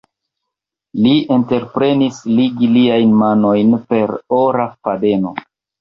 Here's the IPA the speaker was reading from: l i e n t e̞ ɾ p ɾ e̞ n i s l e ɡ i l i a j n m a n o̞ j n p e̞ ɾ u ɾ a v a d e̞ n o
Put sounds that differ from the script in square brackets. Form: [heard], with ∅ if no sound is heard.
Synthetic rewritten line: l i e n t e̞ ɾ p ɾ e̞ n i s l [i] ɡ i l i a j n m a n o̞ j n p e̞ ɾ [o] ɾ a [f] a d e̞ n o